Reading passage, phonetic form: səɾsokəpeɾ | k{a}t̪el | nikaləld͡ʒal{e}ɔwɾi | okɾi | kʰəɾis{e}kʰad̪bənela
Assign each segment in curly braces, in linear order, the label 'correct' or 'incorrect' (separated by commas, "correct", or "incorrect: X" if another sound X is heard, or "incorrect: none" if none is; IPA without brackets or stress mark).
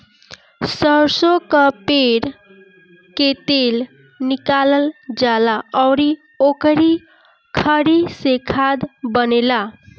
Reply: incorrect: e, incorrect: a, correct